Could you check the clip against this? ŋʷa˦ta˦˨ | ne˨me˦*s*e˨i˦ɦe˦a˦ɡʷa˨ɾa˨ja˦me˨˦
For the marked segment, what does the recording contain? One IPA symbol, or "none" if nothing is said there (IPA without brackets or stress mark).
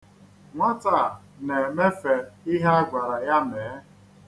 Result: f